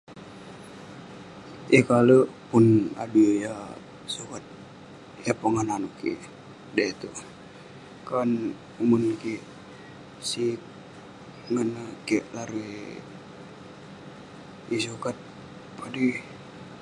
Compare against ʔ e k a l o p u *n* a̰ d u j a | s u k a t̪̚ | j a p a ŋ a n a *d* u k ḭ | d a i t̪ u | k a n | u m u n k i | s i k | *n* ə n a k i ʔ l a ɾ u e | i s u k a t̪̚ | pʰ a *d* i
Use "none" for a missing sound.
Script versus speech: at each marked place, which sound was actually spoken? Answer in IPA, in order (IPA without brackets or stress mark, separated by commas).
n, n, ŋ, d